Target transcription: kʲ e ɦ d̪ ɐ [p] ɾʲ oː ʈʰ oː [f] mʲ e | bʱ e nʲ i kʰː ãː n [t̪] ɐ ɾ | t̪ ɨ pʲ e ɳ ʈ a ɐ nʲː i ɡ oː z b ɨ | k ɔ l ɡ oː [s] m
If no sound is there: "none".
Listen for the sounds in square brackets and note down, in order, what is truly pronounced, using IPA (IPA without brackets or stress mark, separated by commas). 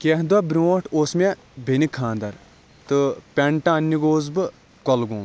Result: b, s, d̪, none